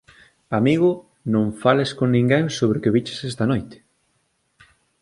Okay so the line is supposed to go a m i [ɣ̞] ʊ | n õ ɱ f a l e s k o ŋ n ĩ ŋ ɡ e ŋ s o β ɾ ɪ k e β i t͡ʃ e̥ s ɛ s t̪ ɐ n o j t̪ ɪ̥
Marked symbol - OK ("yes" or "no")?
yes